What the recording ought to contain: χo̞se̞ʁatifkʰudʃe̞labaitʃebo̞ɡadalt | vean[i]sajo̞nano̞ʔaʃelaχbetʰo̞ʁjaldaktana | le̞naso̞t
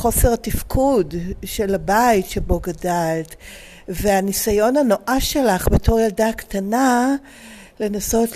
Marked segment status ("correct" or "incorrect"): correct